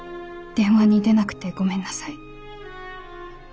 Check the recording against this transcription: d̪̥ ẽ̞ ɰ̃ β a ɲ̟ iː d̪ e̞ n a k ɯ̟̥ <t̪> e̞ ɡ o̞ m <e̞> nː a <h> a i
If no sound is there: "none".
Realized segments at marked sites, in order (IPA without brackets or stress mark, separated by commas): t̪, ẽ̞, s